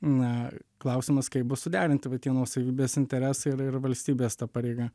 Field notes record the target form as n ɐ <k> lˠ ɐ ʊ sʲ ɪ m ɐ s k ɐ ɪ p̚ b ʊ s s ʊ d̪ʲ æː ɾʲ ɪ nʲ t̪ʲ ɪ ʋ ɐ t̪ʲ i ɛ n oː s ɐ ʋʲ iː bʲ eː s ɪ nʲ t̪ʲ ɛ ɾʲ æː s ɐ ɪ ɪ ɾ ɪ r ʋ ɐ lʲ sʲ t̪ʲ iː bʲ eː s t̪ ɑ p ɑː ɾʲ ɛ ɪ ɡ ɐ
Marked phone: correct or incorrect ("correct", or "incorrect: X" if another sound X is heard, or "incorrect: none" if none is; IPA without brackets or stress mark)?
correct